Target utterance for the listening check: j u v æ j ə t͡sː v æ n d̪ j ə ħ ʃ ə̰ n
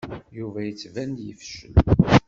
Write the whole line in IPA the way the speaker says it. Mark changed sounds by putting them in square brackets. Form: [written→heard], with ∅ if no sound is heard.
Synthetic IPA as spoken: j u v æ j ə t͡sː v æ n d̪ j ə [ħ→f] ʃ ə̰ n